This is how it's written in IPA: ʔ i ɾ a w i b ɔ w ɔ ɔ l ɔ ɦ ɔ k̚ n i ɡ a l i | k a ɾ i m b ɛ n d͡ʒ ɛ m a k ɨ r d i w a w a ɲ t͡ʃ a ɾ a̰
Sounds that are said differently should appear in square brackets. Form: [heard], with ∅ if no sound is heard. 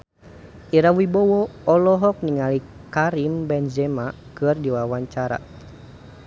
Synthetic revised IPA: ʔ i ɾ a w i b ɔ w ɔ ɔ l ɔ ɦ ɔ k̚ n i [ŋ] a l i | k a ɾ i m b ɛ n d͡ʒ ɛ m a k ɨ r d i w a w a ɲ t͡ʃ a ɾ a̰

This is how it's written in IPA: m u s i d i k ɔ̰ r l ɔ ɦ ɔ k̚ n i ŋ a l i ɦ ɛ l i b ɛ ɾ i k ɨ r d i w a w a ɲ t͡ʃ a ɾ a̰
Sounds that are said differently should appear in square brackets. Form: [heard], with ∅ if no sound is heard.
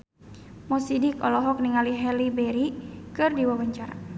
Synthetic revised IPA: m [ɔ] s i d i k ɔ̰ [∅] l ɔ ɦ ɔ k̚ n i ŋ a l i ɦ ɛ l i b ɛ ɾ i k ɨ r d i w a w a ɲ t͡ʃ a ɾ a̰

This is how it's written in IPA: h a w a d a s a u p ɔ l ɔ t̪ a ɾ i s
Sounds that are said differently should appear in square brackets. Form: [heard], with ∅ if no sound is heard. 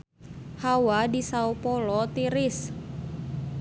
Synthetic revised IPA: h a w a d [i] s a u p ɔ l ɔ t̪ [i] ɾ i s

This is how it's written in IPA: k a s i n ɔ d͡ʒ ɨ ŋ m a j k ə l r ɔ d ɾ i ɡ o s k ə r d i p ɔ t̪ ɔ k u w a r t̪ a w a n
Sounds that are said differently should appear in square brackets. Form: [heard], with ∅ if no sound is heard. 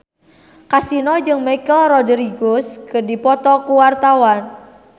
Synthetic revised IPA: k a s i n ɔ d͡ʒ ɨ ŋ m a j k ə l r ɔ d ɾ i ɡ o s k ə r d i p ɔ t̪ ɔ k u w a r t̪ a w a n

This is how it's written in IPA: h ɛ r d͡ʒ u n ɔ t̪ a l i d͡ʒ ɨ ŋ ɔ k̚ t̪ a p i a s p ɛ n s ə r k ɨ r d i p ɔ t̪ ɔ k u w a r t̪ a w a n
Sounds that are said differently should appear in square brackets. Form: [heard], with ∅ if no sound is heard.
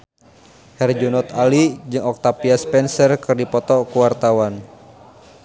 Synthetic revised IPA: h ɛ r d͡ʒ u n ɔ t̪ a l i d͡ʒ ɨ ŋ ɔ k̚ t̪ a p i a s p ɛ n s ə r k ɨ r d i p ɔ t̪ ɔ k u w a r t̪ a w a n

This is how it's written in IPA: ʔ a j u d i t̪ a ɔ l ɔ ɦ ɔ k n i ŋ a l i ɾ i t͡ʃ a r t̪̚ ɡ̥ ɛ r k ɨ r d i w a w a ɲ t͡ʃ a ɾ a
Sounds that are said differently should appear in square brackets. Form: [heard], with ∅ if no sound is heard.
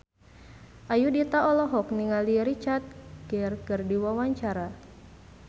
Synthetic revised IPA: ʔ a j u d i t̪ a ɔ l ɔ ɦ ɔ k n i ŋ a l i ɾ i t͡ʃ a r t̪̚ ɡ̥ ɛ r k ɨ r d i w a w a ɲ t͡ʃ a ɾ a

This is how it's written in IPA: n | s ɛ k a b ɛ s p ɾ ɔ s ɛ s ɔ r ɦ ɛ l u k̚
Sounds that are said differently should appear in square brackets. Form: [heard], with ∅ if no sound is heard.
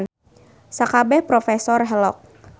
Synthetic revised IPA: n | s [a] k a b ɛ [h] p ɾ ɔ [f] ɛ s ɔ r ɦ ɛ l [ɔ] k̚

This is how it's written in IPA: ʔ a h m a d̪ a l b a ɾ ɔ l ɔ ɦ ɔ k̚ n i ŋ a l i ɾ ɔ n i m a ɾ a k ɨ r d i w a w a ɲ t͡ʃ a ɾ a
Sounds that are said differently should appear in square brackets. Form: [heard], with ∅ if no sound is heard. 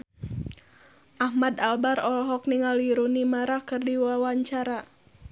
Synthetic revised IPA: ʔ a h m a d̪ a l b a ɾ ɔ l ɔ ɦ ɔ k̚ n i ŋ a l i ɾ [u] n i m a ɾ a k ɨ r d i w a w a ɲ t͡ʃ a ɾ a

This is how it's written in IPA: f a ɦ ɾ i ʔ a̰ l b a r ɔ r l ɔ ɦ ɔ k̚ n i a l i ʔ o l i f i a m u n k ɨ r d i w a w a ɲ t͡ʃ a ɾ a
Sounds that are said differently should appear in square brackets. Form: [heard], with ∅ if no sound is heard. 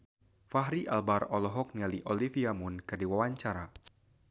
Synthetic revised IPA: f a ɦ ɾ i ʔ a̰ l b a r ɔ [∅] l ɔ ɦ ɔ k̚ n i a l i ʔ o l i f i a m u n k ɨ r d i w a w a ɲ t͡ʃ a ɾ a

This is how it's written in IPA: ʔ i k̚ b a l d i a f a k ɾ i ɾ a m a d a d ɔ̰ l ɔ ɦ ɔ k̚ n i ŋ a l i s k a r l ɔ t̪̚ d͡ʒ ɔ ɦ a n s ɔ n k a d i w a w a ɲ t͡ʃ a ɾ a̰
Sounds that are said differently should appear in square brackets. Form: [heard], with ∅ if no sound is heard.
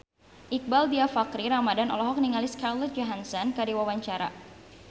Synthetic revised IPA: ʔ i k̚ b a l d i a f a k ɾ i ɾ a m a d a [n] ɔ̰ l ɔ ɦ ɔ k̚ n i ŋ a l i s k a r l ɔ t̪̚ d͡ʒ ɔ ɦ a n s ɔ n k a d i w a w a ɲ t͡ʃ a ɾ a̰

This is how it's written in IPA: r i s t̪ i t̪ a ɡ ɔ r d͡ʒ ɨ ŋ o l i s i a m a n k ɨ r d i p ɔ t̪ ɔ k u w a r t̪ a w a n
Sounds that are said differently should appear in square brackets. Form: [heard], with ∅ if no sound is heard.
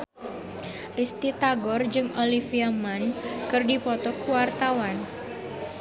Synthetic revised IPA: r i s t̪ i t̪ a ɡ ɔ r d͡ʒ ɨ ŋ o l i [f] i a m a n k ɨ r d i p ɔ t̪ ɔ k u w a r t̪ a w a n

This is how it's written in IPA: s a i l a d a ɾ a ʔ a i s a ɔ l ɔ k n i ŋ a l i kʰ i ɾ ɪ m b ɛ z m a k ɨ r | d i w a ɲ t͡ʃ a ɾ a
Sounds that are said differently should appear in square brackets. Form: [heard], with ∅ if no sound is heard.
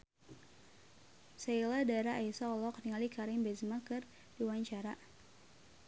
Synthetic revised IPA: s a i l a d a ɾ a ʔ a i s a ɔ l ɔ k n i ŋ a l i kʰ [a] ɾ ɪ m b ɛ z m a k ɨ r | d i w a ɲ t͡ʃ a ɾ a

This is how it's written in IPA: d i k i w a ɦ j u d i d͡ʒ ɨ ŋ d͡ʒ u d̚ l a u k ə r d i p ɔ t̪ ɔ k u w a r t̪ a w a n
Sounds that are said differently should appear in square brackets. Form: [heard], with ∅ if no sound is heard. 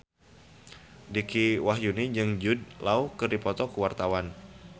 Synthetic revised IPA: d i k i w a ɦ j u [n] i d͡ʒ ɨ ŋ d͡ʒ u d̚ l a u k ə r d i p ɔ t̪ ɔ k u w a r t̪ a w a n

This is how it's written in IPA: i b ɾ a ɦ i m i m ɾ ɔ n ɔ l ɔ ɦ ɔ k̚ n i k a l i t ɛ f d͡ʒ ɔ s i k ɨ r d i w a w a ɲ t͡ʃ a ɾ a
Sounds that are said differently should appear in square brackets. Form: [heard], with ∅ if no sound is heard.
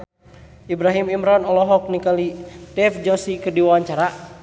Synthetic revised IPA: i b ɾ a ɦ i m i m ɾ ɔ n ɔ l ɔ ɦ ɔ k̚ n i k a l i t ɛ f d͡ʒ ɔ s i k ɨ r d i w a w a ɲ t͡ʃ a ɾ a

